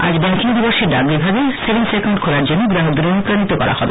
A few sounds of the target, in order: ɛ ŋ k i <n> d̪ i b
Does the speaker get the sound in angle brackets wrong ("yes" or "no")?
yes